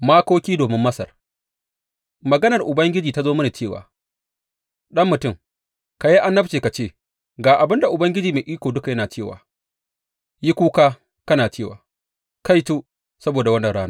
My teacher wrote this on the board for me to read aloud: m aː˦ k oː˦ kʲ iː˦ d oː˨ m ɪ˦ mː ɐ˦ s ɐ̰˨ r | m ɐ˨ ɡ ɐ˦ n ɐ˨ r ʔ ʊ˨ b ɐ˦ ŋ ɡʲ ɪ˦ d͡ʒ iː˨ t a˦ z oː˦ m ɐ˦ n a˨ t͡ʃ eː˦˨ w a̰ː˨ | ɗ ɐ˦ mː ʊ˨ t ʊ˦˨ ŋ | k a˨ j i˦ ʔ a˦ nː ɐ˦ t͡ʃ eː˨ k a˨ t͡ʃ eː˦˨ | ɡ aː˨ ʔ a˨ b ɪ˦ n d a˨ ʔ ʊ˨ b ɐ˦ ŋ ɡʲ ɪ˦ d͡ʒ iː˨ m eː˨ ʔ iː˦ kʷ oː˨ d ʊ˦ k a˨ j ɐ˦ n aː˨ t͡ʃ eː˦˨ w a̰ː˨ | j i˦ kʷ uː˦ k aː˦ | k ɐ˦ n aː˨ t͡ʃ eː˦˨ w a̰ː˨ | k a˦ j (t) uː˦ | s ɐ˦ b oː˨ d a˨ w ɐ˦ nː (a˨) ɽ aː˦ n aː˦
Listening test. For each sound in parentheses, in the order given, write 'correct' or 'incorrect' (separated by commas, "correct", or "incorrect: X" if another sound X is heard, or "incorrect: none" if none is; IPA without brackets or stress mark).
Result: correct, incorrect: ɐ˨